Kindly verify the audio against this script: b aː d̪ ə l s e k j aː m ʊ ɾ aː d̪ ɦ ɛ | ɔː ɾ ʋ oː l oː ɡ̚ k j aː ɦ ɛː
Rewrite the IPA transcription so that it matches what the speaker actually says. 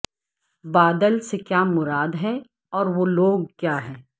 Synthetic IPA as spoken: b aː d̪ ə l s e k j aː m ʊ ɾ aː d̪ ɦ ɛ | ɔː ɾ ʋ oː l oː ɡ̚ k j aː ɦ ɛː